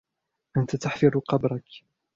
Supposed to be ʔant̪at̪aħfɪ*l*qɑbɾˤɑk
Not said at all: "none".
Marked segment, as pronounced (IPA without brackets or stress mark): ɾ